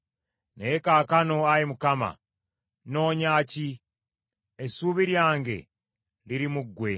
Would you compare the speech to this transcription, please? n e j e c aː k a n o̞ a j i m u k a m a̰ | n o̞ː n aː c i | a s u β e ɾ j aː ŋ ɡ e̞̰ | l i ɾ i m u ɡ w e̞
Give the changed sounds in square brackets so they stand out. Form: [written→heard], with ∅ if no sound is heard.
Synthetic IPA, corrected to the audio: n e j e [c→k] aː k a n o̞ a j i m u k a m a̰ | n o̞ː [n→ɲ] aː c i | [a→e] s u β [e→i] ɾ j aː ŋ ɡ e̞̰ | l i ɾ i m u ɡ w e̞

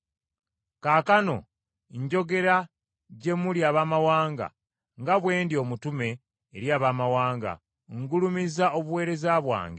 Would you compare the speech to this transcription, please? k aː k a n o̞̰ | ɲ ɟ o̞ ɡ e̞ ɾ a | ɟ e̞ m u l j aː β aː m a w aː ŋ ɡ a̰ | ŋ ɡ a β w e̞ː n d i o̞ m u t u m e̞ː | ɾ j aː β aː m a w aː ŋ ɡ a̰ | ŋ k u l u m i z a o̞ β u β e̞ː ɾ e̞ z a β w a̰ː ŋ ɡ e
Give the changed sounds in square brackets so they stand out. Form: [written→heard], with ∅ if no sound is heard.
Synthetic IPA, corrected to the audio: k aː k a n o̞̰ | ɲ ɟ o̞ ɡ e̞ ɾ a | ɟ e̞ m u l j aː β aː m a w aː ŋ ɡ a̰ | ŋ ɡ a β w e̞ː n d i o̞ m u t u m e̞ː | ɾ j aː β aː m a w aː ŋ ɡ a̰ | ŋ [k→ɡ] u l u m i z a o̞ β u [β→w] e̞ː ɾ e̞ z a β w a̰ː ŋ ɡ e

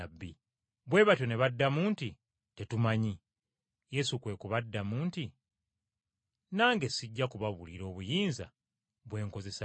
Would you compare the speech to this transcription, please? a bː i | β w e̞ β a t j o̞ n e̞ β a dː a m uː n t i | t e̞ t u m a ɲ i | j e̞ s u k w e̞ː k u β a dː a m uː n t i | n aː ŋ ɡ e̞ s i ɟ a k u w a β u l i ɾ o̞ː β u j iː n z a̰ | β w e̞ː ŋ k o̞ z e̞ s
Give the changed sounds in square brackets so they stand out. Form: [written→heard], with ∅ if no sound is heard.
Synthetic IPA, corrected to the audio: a bː i | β w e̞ β a t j o̞ n e̞ β a dː a m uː n t i | t e̞ t u m a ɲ i | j e̞ s u k w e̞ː k u β a dː a m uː n t i | n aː ŋ ɡ e̞ s i [ɟ→ɟː] a k u [w→β] a β u l i ɾ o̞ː β u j iː n z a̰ | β w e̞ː ŋ k o̞ z e̞ s

